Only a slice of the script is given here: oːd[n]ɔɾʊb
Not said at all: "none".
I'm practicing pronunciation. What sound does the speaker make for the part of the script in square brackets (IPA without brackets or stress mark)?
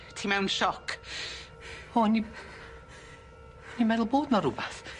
n